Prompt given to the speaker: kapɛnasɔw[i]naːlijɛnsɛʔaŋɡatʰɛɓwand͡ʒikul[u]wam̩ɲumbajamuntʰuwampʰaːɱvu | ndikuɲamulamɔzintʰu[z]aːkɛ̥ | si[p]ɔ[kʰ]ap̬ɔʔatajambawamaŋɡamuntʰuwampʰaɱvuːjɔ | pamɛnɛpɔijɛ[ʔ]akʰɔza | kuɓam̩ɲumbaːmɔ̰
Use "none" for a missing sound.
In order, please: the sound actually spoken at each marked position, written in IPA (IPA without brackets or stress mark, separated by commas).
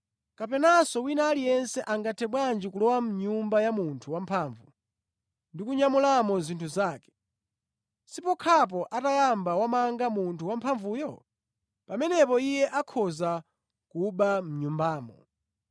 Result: i, ɔ, z, p, kʰ, ʔ